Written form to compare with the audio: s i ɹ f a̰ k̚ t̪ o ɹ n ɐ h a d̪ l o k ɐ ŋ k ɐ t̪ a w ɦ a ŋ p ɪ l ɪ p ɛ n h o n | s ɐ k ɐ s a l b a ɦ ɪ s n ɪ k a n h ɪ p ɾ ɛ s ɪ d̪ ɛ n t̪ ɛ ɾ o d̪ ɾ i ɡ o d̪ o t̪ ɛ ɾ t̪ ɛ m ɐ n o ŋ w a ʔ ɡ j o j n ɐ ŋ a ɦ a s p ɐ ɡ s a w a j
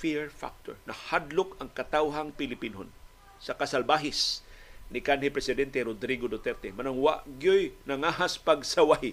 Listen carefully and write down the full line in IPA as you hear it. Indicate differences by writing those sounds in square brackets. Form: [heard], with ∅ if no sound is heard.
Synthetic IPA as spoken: [f] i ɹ f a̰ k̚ t̪ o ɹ n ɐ h a d̪ l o k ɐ ŋ k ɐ t̪ a w ɦ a ŋ p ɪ l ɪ p [i] n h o n | s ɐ k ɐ s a l b a ɦ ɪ s n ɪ k a n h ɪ p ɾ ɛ s ɪ d̪ ɛ n t̪ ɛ ɾ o d̪ ɾ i ɡ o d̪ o t̪ ɛ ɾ t̪ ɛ m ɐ n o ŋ w a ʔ ɡ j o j n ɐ ŋ a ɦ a s p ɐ ɡ s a w a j